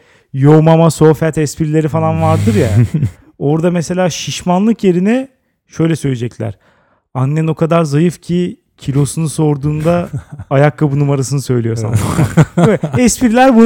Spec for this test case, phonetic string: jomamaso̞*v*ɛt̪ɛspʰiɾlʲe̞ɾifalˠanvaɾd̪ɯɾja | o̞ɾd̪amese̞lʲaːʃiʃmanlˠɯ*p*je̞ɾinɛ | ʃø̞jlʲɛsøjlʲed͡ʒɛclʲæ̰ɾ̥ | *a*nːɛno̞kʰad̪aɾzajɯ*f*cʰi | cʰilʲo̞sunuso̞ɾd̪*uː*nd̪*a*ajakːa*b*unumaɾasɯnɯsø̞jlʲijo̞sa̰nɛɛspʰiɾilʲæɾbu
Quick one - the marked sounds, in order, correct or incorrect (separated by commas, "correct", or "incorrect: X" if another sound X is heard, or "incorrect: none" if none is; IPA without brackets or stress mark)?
incorrect: f, incorrect: k, correct, correct, correct, correct, correct